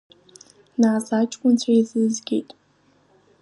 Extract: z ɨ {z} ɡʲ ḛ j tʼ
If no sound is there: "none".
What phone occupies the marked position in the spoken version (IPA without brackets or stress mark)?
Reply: z